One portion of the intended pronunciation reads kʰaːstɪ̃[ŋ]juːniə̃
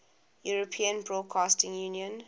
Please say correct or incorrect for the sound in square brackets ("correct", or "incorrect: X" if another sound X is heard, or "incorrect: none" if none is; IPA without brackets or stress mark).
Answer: correct